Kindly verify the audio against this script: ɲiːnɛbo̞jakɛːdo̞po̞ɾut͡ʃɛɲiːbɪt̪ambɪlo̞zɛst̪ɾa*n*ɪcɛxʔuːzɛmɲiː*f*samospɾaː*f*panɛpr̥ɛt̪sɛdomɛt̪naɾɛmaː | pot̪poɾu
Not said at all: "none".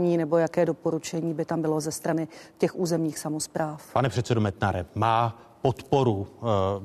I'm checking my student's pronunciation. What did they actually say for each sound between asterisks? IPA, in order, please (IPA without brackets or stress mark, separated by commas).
n, x, f